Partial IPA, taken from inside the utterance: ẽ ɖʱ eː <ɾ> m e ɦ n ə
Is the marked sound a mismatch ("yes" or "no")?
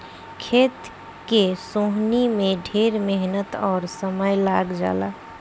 no